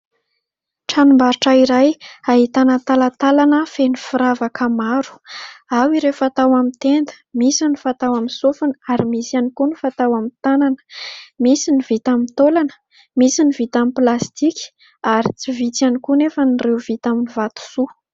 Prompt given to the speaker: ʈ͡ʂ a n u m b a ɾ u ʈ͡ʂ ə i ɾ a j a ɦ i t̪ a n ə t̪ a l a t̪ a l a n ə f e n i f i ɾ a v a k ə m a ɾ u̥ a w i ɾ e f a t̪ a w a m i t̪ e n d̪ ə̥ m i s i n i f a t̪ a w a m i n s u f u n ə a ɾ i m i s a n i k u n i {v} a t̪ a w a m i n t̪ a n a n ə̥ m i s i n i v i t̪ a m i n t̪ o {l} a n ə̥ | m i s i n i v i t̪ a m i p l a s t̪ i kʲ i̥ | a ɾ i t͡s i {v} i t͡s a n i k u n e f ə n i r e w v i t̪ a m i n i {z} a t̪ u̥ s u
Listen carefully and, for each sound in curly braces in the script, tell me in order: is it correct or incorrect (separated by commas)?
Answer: incorrect, correct, correct, incorrect